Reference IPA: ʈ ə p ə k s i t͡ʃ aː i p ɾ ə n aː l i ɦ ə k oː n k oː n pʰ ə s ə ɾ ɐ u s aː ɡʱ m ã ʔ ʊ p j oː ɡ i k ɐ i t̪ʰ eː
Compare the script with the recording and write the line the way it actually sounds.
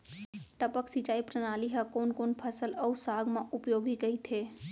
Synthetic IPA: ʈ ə p ə k s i t͡ʃ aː i p ɾ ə n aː l i ɦ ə k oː n k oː n pʰ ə s ə l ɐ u s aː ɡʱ m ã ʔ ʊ p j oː ɡ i k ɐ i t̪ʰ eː